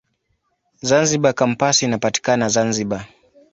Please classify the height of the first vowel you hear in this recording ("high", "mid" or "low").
low